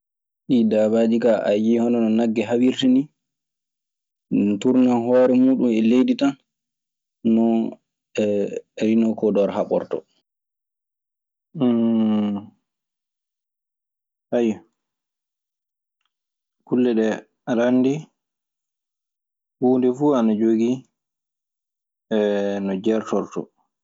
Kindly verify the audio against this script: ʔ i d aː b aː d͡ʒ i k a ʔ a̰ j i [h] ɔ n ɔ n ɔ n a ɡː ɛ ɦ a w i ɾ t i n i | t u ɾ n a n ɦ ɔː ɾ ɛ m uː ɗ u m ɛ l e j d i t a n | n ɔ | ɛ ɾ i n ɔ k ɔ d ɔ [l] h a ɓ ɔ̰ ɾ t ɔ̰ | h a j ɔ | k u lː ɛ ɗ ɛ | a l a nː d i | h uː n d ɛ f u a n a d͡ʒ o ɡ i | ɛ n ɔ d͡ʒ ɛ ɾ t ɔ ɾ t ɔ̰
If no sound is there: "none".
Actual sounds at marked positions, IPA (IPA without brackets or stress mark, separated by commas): h, ɾ